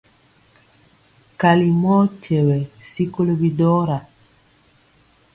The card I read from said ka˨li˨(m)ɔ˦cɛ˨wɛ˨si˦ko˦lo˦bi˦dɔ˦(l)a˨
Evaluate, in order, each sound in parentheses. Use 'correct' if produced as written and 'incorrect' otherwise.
correct, incorrect: ɾ

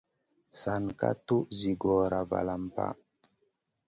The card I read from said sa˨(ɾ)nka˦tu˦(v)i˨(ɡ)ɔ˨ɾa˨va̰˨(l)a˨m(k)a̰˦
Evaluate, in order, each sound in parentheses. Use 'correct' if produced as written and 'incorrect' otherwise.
incorrect: none, incorrect: z, correct, correct, incorrect: p

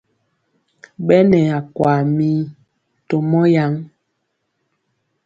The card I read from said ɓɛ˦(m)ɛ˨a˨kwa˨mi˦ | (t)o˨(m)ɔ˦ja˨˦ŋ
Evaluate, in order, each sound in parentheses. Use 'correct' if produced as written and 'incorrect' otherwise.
incorrect: n, correct, correct

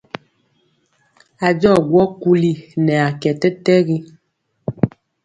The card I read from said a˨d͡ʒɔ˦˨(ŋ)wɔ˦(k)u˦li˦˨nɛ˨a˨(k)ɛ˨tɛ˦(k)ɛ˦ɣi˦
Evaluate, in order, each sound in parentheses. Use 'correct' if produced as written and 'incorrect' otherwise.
incorrect: ɡ, correct, correct, incorrect: t

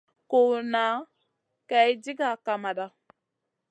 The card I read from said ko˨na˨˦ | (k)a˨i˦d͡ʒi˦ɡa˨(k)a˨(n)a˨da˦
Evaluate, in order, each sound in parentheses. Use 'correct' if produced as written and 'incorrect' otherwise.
correct, correct, incorrect: m

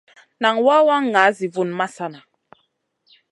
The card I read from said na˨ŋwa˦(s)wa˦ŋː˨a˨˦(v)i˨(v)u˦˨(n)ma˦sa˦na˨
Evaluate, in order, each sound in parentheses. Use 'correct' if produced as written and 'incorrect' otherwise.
incorrect: none, incorrect: z, correct, correct

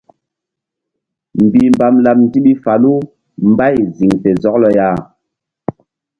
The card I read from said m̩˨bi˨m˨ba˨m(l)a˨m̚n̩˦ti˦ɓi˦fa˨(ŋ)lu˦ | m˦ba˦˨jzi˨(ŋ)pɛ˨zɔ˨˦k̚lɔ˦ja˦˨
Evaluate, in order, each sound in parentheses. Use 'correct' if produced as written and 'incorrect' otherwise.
correct, incorrect: none, correct

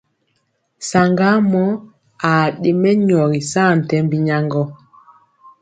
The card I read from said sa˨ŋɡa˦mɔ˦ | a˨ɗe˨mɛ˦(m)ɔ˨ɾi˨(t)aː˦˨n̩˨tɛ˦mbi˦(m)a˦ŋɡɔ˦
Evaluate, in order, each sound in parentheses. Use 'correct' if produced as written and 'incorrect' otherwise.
incorrect: ɲ, incorrect: s, incorrect: ɲ

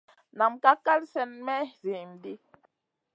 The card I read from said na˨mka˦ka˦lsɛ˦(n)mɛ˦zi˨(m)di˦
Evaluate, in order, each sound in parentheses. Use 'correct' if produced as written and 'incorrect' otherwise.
correct, correct

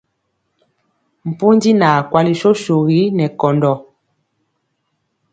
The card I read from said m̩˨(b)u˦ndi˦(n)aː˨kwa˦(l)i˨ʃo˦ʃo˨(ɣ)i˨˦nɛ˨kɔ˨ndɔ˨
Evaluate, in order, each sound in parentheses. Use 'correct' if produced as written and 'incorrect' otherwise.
incorrect: p, correct, correct, correct

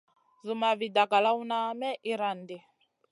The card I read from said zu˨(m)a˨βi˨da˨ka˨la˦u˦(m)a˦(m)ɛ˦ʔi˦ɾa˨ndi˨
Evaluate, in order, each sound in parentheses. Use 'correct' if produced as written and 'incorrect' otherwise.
correct, incorrect: n, correct

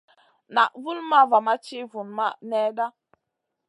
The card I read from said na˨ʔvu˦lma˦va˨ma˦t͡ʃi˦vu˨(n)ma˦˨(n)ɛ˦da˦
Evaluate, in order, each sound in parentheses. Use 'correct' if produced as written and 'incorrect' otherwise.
correct, correct

